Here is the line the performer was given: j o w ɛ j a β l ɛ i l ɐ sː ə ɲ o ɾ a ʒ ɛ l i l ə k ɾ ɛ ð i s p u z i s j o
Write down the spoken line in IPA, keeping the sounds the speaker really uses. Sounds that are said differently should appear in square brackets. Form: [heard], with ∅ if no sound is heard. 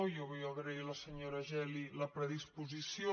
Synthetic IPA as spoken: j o [β] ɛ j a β [ɾ] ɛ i l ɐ [s] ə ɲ o ɾ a ʒ ɛ l i l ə [p] ɾ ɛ ð i s p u z i s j o